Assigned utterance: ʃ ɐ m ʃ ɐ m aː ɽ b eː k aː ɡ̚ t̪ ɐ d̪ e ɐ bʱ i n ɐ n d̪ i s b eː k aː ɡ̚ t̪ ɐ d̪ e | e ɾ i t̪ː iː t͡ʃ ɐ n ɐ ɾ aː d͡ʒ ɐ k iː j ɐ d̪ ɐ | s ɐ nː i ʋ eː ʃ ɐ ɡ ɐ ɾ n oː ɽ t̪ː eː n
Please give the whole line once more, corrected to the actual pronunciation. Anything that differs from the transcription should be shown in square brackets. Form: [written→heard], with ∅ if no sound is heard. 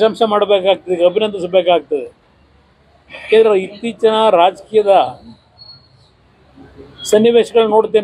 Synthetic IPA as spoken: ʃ ɐ m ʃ ɐ m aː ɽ b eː k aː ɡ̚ t̪ ɐ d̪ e ɐ bʱ i n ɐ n d̪ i s b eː k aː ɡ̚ t̪ ɐ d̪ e | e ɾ i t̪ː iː t͡ʃ ɐ n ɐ ɾ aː d͡ʒ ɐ k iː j ɐ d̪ ɐ | s ɐ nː i ʋ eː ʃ ɐ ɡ ɐ [ɾ→ɭ] n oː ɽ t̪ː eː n